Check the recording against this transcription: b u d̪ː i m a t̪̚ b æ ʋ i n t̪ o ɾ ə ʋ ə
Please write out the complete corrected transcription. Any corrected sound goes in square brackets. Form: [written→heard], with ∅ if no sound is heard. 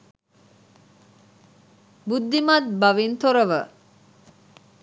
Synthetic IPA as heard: b u d̪ː i m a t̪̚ b [æ→a] ʋ i n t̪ o ɾ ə ʋ ə